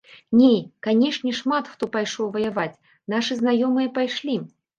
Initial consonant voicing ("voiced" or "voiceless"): voiced